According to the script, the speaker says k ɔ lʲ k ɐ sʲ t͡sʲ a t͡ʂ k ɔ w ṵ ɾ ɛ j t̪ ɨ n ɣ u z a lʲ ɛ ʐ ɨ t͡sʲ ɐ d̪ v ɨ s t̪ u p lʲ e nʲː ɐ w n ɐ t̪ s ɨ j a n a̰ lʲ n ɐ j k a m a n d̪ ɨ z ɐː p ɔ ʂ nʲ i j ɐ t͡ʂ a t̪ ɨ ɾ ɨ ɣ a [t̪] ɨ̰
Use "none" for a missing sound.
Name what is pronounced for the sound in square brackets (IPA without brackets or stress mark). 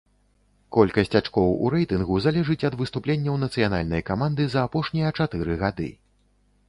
d̪